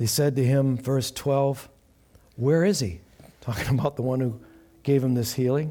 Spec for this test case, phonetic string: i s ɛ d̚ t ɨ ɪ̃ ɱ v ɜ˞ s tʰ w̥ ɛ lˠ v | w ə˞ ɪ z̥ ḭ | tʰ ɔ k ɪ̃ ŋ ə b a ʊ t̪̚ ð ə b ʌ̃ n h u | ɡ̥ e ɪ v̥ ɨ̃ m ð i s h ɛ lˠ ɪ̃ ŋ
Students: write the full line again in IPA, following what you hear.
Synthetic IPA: i s ɛ d̚ t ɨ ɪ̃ ɱ v ɜ˞ s tʰ w̥ ɛ lˠ v | w ə˞ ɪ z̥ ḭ | tʰ ɔ k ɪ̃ ŋ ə b a ʊ t̪̚ ð ə w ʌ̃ n h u | ɡ̥ e ɪ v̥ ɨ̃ m ð ɪ s h i lˠ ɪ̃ ŋ